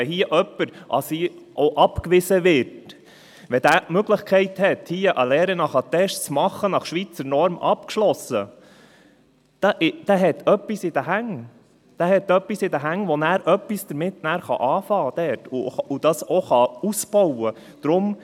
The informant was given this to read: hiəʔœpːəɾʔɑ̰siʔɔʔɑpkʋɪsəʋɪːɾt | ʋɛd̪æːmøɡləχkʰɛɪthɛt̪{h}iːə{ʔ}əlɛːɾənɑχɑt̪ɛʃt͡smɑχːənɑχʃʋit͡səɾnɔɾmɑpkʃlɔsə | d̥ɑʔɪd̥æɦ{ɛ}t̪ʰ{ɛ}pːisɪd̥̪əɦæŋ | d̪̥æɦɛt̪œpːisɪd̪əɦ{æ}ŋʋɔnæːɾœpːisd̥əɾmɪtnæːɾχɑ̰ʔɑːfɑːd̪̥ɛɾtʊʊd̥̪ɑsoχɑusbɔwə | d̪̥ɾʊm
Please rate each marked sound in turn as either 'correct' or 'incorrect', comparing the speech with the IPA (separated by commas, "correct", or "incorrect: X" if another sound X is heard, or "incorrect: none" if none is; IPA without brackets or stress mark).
correct, correct, correct, incorrect: œ, correct